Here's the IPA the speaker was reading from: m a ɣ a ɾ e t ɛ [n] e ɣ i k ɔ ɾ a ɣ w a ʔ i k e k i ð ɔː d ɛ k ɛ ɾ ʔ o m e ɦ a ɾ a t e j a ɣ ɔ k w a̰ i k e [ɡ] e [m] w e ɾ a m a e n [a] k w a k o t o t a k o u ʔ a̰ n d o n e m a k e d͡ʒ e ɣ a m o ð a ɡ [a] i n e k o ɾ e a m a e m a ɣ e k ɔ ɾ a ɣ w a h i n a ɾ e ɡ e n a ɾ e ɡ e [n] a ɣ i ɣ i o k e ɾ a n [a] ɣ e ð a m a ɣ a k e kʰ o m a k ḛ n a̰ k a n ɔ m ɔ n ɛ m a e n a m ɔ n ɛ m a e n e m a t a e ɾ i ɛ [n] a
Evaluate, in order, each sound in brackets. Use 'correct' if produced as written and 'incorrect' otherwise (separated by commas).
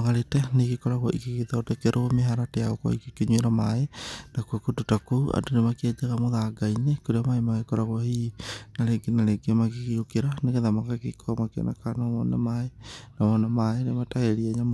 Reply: correct, incorrect, incorrect, correct, correct, incorrect, incorrect, incorrect